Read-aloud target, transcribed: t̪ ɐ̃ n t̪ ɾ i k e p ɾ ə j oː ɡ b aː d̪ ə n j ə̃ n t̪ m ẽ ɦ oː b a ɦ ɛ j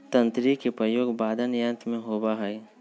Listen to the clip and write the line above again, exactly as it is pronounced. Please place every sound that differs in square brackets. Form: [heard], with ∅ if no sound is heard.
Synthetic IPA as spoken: t̪ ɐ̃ n t̪ ɾ i k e p ɾ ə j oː ɡ b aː d̪ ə n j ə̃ n t̪ m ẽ ɦ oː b a ɦ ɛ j